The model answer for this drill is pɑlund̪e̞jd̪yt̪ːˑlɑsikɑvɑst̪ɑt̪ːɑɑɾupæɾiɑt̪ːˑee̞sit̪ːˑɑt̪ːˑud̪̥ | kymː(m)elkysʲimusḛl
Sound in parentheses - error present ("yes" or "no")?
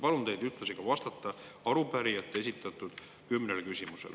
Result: yes